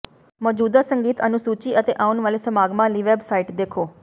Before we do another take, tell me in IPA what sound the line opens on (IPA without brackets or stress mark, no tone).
m